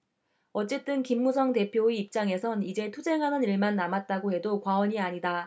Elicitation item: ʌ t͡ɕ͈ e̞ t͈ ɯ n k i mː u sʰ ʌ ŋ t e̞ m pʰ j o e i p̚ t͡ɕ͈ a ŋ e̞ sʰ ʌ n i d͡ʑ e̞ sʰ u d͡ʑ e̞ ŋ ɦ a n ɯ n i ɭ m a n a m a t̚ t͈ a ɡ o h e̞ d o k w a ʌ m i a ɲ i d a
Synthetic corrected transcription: ʌ t͡ɕ͈ e̞ t͈ ɯ n k i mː u sʰ ʌ ŋ t e̞ pʰ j o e i p̚ t͡ɕ͈ a ŋ e̞ sʰ ʌ n i d͡ʑ e̞ tʰ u d͡ʑ e̞ ŋ ɦ a n ɯ n i ɭ m a nː a m a t̚ t͈ a ɡ o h e̞ d o k w a ʌ ɲ i a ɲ i d a